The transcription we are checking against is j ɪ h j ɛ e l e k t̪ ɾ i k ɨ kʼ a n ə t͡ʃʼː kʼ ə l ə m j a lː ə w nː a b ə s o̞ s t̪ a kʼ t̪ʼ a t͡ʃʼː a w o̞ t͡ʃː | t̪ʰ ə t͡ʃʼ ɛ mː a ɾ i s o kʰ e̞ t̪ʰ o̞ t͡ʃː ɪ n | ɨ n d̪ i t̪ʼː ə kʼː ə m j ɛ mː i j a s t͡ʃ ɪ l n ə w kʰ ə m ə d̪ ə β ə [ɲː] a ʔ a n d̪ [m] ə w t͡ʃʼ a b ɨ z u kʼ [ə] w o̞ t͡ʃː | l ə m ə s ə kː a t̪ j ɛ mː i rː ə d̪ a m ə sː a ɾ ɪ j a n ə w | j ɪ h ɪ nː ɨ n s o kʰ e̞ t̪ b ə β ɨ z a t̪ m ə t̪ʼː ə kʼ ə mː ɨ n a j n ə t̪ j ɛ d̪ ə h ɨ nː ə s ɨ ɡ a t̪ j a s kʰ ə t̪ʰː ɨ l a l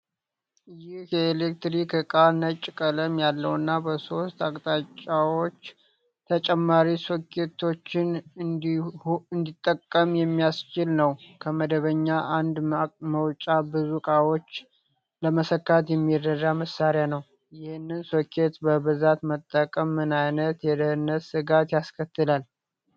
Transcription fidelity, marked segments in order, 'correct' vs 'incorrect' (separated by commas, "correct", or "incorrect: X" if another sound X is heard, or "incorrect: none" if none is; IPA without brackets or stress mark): correct, correct, incorrect: a